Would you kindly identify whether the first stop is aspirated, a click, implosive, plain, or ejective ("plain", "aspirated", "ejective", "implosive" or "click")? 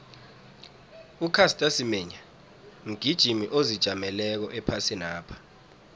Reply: aspirated